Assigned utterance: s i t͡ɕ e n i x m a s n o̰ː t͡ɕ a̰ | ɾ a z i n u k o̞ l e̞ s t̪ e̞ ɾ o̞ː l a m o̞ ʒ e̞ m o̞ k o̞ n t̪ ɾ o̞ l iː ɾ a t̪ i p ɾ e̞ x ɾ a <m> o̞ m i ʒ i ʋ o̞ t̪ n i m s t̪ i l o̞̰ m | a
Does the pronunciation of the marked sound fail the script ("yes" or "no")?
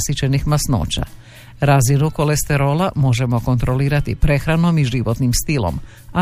yes